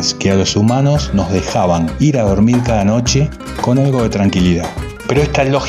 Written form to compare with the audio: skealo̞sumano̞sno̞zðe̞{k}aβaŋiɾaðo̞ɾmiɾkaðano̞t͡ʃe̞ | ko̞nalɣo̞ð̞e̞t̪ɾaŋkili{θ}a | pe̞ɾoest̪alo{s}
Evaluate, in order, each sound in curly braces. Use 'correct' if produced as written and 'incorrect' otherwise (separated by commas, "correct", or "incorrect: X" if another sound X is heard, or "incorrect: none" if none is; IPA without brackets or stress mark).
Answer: incorrect: x, incorrect: ð, incorrect: x